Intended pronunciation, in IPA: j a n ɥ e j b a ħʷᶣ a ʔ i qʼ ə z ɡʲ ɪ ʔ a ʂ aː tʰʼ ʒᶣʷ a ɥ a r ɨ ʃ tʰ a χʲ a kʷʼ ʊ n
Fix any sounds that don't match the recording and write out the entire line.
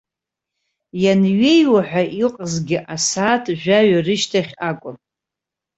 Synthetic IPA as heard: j a n ɥ e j w a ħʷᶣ a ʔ i qʼ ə z ɡʲ ɪ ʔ a s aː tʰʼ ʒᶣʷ a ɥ a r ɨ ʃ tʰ a χʲ a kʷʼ ʊ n